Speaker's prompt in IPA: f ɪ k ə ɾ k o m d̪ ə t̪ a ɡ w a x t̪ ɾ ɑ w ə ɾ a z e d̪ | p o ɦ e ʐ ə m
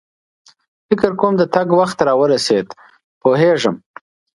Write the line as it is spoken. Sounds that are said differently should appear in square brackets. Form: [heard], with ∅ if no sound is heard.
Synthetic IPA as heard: f ɪ k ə ɾ k o m d̪ ə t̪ a ɡ w a x t̪ ɾ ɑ w ə ɾ a [s] e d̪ | p o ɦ e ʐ ə m